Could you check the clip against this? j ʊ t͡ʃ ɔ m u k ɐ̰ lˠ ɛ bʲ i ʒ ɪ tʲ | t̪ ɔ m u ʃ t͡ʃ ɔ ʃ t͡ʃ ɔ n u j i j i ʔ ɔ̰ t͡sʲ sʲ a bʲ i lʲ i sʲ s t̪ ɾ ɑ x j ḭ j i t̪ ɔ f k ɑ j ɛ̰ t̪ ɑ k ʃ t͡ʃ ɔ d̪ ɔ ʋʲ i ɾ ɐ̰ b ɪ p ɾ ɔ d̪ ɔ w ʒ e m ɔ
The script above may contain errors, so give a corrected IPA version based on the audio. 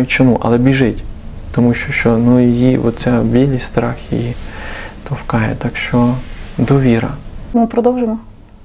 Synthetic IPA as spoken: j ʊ t͡ʃ ɔ m u ʔ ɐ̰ lˠ ɛ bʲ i ʒ ɪ tʲ | t̪ ɔ m u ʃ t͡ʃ ɔ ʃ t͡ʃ ɔ n u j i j i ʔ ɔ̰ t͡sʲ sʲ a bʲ i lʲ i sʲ s t̪ ɾ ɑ x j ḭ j i t̪ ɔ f k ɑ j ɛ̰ t̪ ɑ k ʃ t͡ʃ ɔ d̪ ɔ ʋʲ i ɾ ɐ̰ m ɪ p ɾ ɔ d̪ ɔ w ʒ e m ɔ